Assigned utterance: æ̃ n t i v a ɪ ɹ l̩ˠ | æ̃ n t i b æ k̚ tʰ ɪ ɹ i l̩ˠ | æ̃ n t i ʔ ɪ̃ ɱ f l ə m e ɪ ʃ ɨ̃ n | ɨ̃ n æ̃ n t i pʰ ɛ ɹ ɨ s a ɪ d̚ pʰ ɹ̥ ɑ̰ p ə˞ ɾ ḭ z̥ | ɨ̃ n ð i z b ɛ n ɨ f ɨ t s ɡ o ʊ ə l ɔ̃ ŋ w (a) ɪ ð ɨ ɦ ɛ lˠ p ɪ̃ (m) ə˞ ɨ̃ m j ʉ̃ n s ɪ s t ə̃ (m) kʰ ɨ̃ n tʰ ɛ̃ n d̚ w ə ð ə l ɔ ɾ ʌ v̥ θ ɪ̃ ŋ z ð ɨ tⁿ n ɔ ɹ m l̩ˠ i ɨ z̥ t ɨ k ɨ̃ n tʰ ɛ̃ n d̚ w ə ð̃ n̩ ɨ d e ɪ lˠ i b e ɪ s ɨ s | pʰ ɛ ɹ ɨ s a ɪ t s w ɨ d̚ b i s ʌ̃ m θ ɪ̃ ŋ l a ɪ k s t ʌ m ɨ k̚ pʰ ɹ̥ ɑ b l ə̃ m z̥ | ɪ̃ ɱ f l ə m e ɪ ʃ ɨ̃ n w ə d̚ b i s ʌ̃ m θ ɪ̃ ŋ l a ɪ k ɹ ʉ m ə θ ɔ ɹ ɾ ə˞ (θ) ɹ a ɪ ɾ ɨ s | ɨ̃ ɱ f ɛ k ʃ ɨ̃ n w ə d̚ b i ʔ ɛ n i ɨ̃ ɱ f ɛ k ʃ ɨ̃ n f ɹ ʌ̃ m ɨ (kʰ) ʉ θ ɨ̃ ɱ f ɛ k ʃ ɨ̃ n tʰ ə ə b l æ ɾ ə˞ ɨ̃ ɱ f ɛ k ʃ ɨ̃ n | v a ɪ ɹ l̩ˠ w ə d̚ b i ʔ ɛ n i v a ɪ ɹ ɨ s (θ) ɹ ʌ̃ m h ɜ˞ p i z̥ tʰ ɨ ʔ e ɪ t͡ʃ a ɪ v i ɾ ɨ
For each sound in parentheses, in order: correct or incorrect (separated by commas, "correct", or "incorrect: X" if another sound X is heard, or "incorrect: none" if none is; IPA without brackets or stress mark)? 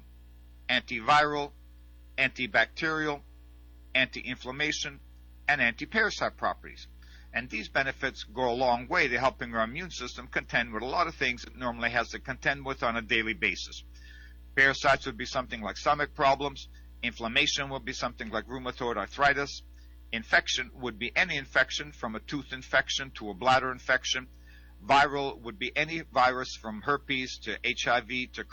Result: incorrect: e, incorrect: ŋ, correct, correct, incorrect: tʰ, incorrect: f